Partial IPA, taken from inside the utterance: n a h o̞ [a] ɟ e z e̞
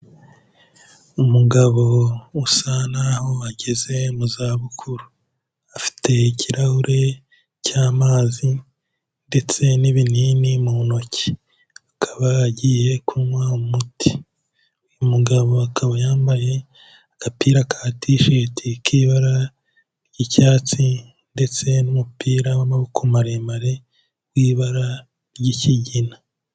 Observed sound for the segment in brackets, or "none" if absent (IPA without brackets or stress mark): a